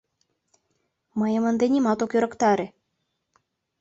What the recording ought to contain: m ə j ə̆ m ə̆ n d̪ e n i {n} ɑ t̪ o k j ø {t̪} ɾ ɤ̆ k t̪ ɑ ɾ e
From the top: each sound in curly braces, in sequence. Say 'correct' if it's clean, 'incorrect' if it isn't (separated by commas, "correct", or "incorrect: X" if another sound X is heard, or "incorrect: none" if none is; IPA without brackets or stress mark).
incorrect: m, incorrect: none